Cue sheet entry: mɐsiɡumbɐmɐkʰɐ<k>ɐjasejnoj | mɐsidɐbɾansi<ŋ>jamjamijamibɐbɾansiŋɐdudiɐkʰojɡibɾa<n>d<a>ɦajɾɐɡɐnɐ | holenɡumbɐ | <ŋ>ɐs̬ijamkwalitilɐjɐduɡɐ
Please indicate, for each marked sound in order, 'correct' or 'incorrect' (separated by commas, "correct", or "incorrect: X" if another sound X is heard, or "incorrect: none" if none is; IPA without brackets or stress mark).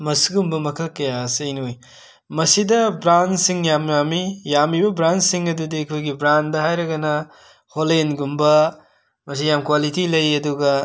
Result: correct, correct, correct, incorrect: ɐ, incorrect: m